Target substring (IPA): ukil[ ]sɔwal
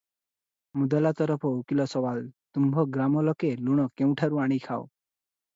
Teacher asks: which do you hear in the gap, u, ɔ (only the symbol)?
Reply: ɔ